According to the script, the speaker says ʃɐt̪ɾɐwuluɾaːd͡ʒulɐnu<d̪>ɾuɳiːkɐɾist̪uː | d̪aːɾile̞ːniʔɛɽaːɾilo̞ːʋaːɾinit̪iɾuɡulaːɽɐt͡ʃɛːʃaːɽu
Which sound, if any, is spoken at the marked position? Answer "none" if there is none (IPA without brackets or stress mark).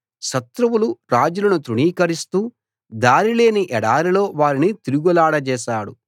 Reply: t̪